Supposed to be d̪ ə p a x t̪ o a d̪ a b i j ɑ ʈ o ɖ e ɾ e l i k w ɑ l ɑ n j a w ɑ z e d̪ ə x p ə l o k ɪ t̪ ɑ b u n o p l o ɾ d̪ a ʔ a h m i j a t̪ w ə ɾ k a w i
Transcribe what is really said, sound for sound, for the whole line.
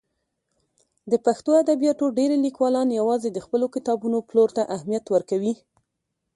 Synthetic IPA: d̪ ə p a x t̪ o a d̪ a b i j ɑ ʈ o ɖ e ɾ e l i k w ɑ l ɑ n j a w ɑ z e d̪ ə x p ə l o k ɪ t̪ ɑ b u n o p l o ɾ t̪ a ʔ a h m i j a t̪ w ə ɾ k a w i